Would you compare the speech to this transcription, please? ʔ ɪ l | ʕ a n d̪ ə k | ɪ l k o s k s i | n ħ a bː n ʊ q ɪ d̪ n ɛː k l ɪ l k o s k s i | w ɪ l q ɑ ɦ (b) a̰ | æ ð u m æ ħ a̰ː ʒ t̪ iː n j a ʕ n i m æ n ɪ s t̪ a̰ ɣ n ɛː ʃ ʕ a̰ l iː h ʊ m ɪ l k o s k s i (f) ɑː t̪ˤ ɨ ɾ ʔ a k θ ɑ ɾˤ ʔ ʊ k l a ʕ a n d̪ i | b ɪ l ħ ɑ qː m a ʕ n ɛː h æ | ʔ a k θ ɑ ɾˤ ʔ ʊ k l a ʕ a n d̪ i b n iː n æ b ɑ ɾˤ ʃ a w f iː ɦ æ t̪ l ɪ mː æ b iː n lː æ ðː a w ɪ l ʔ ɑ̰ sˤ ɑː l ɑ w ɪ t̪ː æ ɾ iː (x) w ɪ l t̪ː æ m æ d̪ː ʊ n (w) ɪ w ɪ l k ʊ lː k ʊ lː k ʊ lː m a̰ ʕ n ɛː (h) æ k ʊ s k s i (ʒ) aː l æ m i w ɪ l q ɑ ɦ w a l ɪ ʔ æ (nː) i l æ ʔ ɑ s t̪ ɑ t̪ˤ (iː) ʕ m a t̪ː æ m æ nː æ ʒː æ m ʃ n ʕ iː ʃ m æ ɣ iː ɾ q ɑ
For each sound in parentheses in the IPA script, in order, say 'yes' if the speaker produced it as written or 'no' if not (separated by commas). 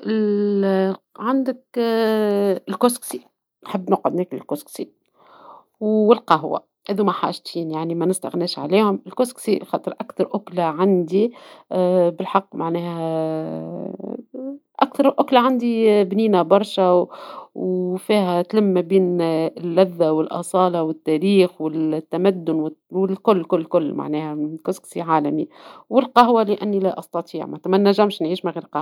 no, no, yes, yes, yes, no, yes, yes